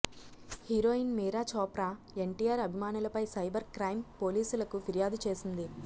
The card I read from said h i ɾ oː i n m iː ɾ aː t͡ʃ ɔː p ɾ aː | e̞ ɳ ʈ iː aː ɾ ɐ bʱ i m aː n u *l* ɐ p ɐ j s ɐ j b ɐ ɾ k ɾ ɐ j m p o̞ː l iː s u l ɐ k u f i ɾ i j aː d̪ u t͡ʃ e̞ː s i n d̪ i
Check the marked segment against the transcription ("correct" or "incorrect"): correct